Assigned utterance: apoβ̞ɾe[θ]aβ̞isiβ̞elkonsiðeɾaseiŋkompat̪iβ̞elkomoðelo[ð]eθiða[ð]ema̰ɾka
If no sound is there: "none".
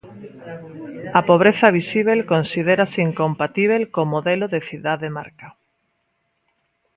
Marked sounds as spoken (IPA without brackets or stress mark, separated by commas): θ, ð, ð